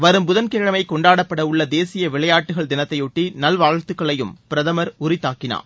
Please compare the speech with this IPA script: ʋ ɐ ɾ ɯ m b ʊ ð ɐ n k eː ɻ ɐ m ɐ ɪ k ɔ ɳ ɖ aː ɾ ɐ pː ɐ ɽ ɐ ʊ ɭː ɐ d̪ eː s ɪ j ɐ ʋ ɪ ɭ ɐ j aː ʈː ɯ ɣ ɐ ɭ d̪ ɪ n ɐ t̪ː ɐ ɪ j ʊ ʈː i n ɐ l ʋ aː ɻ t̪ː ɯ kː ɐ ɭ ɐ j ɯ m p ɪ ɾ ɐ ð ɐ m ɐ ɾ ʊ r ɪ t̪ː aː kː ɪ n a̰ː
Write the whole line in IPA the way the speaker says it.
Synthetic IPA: ʋ ɐ ɾ ɯ m b ʊ ð ɐ n k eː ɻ ɐ m ɐ ɪ k ɔ ɳ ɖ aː ɽ ɐ pː ɐ ɽ ɐ ʊ ɭː ɐ d̪ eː s ɪ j ɐ ʋ ɪ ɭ ɐ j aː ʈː ɯ ɣ ɐ ɭ d̪ ɪ n ɐ t̪ː ɐ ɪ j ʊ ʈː i n ɐ l ʋ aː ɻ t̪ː ɯ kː ɐ ɭ ɐ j ɯ m p ɪ ɾ ɐ ð ɐ m ɐ ɾ ʊ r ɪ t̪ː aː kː ɪ n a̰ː

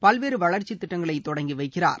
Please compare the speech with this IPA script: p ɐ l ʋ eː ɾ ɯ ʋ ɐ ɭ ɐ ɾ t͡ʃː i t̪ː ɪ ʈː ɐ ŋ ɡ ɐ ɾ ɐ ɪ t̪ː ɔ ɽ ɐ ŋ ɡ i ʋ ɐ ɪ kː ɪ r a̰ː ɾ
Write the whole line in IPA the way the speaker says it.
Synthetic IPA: p ɐ l ʋ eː ɾ ɯ ʋ ɐ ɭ ɐ ɾ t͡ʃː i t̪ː ɪ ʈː ɐ ŋ ɡ ɐ ɭ ɐ ɪ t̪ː ɔ ɽ ɐ ŋ ɡ i ʋ ɐ ɪ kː ɪ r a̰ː ɾ

